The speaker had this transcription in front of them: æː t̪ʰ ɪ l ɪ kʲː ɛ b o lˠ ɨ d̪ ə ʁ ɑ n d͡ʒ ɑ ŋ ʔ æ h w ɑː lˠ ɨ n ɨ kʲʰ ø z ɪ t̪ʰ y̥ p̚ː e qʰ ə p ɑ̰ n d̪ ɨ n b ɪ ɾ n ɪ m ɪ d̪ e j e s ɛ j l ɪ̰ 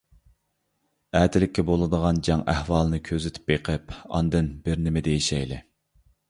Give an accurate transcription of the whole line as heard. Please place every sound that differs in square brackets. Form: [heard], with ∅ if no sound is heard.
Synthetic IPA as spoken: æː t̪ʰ ɪ l ɪ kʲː ɛ b o lˠ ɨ d̪ ə ʁ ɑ n d͡ʒ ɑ ŋ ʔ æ h w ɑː lˠ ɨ n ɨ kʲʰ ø z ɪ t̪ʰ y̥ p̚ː e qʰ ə p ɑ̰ n d̪ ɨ n b ɪ ɾ n ɪ m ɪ d̪ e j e [ʃ] ɛ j l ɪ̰